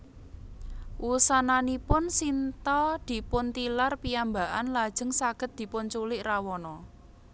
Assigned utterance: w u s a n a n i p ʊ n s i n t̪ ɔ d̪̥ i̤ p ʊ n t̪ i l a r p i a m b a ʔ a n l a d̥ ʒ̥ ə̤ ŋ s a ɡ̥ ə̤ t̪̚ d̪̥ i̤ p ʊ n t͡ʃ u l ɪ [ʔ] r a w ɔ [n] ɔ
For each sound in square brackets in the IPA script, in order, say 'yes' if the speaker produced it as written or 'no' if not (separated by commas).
yes, yes